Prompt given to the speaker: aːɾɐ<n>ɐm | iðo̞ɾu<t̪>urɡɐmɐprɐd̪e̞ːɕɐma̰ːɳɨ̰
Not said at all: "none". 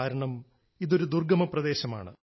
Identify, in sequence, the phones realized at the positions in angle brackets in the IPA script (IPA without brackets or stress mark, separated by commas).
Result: ɳ, d̪